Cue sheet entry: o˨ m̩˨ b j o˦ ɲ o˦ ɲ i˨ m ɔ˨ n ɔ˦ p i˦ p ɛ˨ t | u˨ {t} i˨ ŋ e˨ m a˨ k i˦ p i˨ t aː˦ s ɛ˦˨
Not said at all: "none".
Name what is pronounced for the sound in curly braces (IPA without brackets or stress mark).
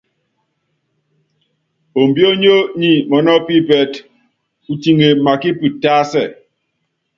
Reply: t